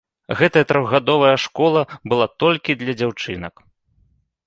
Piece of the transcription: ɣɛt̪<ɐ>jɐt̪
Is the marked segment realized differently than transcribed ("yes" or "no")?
no